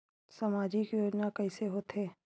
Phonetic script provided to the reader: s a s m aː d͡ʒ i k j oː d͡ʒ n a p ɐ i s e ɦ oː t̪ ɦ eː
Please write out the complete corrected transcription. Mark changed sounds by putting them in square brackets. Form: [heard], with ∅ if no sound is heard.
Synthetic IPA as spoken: s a [∅] m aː d͡ʒ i k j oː d͡ʒ n a [k] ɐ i s e ɦ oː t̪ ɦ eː